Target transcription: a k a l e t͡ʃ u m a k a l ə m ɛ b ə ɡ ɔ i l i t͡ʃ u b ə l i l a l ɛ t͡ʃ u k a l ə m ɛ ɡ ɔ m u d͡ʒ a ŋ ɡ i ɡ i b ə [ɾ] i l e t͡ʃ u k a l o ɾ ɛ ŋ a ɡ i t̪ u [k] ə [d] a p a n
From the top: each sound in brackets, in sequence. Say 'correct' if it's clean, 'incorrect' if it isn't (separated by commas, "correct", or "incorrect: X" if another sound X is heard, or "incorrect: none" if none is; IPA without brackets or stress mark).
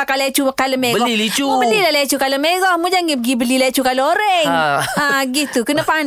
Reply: incorrect: l, correct, incorrect: n